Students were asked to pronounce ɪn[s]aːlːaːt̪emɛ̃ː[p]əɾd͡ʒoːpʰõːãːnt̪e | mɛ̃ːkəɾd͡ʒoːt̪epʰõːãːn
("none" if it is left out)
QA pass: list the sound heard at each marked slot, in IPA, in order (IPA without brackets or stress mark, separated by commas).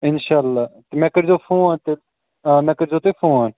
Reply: ʃ, k